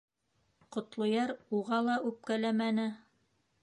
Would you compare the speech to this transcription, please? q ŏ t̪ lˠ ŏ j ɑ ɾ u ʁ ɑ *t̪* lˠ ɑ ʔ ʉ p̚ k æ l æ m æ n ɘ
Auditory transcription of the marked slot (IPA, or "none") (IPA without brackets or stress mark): none